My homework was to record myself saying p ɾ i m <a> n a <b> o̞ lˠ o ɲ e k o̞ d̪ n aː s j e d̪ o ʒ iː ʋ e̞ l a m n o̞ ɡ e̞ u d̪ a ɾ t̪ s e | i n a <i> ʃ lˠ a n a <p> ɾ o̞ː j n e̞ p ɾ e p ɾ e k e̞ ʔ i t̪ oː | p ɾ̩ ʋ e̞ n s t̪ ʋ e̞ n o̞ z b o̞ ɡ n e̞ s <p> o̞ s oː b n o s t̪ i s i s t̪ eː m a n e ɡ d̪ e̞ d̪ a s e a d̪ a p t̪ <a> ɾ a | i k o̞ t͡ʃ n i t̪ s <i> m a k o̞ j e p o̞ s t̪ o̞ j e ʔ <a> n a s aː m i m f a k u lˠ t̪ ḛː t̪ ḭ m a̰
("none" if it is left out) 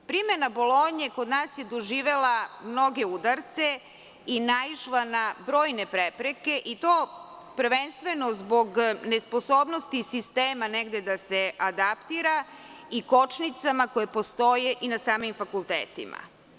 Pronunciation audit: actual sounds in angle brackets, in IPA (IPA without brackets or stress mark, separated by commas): e, b, i, b, p, i, a, i